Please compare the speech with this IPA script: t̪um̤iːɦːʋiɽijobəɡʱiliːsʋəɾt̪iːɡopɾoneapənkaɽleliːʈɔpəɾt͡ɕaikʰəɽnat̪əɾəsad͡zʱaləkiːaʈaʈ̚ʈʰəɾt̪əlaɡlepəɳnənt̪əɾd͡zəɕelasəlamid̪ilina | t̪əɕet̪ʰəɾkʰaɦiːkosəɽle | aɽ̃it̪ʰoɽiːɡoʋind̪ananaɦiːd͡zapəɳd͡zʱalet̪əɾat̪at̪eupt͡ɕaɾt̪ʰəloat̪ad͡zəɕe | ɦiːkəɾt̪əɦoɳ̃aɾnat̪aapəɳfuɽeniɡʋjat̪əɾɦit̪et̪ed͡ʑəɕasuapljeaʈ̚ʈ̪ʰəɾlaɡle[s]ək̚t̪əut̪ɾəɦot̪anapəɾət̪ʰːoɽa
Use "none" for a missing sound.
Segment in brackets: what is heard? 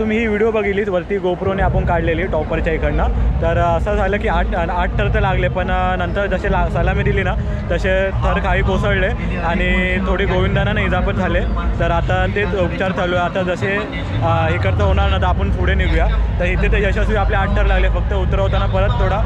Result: f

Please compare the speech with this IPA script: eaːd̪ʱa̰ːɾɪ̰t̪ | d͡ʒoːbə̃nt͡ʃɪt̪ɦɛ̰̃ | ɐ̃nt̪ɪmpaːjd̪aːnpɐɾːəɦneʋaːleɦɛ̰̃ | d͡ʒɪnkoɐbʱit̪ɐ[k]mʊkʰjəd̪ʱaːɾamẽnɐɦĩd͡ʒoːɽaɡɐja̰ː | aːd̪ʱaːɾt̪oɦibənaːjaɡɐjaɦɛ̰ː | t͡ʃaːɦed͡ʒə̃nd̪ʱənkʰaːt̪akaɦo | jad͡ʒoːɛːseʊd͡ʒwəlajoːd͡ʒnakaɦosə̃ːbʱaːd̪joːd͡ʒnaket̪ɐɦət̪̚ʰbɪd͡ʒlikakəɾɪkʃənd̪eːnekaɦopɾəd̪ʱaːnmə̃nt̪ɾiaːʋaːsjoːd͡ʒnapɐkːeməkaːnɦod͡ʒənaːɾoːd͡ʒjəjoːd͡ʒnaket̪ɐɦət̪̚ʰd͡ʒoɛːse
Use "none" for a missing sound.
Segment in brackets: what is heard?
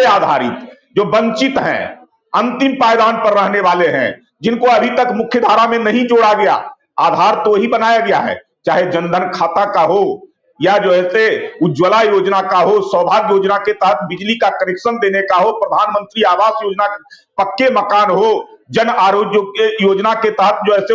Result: k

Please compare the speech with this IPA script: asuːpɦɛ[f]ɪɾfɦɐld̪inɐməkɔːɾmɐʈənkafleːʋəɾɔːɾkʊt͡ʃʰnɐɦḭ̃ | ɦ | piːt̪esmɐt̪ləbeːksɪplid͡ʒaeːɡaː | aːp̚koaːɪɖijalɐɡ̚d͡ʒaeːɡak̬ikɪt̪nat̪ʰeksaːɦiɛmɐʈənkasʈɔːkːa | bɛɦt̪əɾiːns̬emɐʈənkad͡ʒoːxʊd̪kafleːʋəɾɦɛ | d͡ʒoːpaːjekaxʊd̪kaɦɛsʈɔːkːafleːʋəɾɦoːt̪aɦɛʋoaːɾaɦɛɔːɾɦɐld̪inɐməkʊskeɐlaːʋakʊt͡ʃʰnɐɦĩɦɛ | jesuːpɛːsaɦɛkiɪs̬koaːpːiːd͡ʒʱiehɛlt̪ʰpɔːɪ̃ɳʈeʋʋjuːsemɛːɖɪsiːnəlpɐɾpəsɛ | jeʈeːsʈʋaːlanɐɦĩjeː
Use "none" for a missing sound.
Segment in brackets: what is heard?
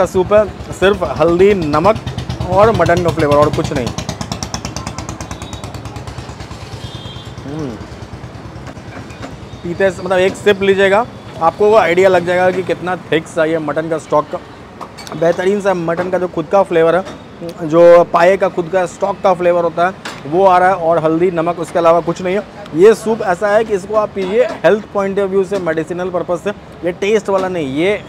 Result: s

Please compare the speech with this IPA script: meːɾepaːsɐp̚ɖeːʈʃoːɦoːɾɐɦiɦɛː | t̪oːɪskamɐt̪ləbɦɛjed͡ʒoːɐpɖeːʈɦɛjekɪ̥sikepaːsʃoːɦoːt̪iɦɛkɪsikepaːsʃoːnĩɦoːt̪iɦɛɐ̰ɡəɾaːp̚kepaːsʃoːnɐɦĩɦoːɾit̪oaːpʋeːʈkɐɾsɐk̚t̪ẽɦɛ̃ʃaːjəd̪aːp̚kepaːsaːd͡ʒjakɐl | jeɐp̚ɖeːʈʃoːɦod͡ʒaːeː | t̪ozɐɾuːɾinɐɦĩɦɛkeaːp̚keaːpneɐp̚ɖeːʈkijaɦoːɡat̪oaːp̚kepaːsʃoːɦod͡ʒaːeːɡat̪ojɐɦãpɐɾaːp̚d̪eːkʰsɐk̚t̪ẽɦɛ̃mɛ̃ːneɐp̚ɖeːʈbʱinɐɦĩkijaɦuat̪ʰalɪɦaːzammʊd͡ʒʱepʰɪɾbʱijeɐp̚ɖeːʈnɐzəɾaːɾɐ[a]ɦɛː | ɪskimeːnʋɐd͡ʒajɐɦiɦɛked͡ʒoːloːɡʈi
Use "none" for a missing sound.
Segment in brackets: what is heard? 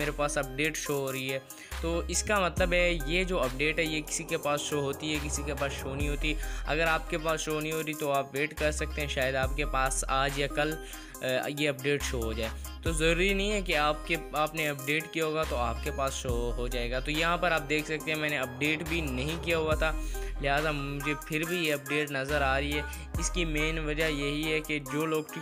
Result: i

